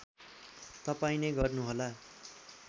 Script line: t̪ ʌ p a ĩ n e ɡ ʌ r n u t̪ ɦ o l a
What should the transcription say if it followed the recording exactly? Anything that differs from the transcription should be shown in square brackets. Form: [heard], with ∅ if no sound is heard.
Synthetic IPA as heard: t̪ ʌ p a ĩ n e ɡ ʌ r n u [∅] ɦ o l a